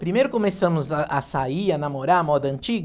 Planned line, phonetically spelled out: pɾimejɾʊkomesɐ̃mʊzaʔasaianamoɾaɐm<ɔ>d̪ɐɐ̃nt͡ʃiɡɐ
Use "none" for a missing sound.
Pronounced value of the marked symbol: ɔ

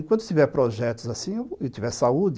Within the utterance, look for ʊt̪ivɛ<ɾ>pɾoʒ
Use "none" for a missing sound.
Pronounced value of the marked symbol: ɾ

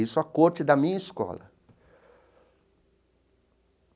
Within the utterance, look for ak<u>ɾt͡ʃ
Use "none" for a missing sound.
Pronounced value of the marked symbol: o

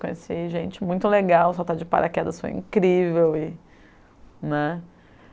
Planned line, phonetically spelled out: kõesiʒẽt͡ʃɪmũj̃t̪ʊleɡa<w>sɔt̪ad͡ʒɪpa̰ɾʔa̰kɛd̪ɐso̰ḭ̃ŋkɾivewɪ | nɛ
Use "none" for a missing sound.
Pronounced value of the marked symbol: w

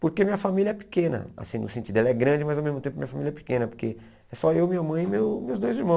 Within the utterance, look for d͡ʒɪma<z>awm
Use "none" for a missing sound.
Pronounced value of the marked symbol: z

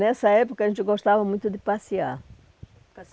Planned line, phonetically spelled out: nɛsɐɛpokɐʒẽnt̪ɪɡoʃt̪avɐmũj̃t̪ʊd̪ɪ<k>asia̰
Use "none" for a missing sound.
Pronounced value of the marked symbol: p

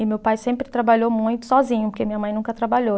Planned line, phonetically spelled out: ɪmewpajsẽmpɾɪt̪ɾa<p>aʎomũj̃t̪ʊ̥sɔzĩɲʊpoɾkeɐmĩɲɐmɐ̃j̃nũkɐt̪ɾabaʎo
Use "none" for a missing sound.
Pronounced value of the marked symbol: b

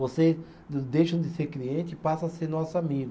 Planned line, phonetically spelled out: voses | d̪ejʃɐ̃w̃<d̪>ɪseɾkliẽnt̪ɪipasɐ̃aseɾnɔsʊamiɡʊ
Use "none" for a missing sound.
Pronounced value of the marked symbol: d̪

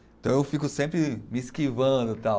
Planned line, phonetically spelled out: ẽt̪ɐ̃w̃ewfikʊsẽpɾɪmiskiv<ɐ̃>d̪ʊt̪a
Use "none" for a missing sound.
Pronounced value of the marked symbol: ɐ̃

